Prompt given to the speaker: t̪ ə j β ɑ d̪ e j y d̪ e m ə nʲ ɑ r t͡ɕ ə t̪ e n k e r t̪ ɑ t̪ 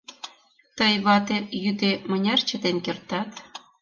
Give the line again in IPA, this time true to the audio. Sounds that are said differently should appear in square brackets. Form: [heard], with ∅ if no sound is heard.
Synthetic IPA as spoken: t̪ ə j β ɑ [t̪] e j y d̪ e m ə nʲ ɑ r t͡ɕ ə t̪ e n k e r t̪ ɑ t̪